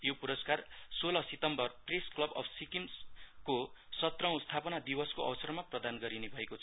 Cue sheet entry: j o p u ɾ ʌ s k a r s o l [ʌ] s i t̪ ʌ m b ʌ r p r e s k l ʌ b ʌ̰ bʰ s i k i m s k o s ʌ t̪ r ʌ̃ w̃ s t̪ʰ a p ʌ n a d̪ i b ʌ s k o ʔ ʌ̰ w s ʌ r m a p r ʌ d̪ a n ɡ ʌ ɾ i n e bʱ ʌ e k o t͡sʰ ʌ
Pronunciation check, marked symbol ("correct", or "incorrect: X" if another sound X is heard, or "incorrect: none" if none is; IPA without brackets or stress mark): correct